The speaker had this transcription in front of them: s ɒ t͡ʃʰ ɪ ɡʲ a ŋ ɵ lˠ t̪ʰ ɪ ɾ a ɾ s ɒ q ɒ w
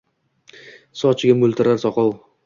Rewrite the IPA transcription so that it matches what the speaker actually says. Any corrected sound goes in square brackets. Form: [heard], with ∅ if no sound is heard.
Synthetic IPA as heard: s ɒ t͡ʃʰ ɪ ɡʲ a [m] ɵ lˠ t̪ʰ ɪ ɾ a ɾ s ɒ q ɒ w